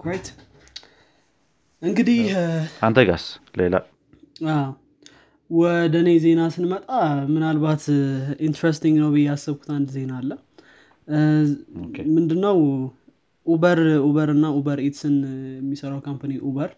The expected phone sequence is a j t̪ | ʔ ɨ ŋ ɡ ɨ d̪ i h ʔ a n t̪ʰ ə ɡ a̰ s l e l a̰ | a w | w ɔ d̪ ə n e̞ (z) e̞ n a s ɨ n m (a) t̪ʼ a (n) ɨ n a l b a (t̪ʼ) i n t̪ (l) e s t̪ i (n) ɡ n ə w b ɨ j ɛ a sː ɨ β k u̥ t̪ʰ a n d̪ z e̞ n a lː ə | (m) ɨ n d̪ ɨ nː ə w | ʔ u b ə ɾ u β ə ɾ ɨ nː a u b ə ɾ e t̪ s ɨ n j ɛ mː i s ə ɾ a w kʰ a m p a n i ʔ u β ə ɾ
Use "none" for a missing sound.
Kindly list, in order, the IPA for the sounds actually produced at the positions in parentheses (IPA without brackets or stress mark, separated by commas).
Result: z, ə, m, t̪, ɾ, ŋ, m